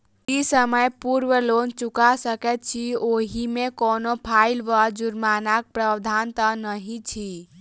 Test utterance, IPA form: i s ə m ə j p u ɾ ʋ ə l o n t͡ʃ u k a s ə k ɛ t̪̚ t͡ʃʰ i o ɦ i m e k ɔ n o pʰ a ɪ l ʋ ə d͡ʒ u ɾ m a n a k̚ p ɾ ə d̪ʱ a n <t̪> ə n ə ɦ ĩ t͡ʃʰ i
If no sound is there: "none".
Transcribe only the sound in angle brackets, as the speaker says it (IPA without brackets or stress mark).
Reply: t̪